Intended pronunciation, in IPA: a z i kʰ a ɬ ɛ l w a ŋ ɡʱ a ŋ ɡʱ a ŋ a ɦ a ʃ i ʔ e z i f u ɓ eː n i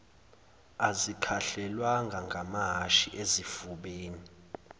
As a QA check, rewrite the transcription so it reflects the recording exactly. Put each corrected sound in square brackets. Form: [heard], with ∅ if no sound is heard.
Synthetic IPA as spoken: a z i kʰ a ɬ ɛ l w a ŋ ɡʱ a ŋ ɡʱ a [m] a ɦ a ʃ i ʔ e z i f u ɓ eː n i